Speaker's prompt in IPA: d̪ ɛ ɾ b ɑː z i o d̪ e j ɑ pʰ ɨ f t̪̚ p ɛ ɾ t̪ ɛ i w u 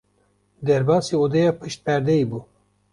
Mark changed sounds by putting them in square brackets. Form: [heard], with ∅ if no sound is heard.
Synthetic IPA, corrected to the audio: d̪ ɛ ɾ b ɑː [s] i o d̪ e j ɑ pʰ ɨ [ʃ] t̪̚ p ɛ ɾ [d̪] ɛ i [b] u